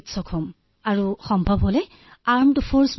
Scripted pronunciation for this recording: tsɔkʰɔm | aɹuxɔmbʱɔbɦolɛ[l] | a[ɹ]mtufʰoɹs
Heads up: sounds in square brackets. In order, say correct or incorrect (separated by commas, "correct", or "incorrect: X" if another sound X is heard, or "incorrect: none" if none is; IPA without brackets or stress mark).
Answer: incorrect: none, correct